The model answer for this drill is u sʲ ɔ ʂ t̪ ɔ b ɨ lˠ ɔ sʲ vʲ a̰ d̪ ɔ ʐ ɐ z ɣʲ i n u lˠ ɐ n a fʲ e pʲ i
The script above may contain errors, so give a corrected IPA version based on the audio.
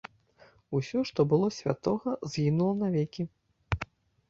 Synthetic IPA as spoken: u sʲ ɔ ʂ t̪ ɔ b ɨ lˠ ɔ sʲ vʲ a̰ t̪ ɔ ɣ ɐ z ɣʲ i n u lˠ ɐ n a vʲ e kʲ i